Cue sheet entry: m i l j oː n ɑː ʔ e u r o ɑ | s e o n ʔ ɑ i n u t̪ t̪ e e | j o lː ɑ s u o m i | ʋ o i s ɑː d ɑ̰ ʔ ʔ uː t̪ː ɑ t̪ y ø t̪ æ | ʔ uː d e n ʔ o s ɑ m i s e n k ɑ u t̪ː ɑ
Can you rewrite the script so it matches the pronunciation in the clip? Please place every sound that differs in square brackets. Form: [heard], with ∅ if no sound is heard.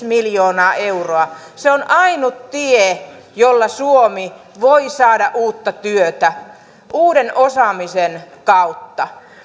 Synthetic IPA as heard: m i l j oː n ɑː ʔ e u r o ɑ | s e o n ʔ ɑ i n u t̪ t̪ [i] e | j o lː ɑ s u o m i | ʋ o i s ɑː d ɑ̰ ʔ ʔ uː t̪ː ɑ t̪ y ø t̪ æ | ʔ uː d e n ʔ o s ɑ m i s e n k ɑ u t̪ː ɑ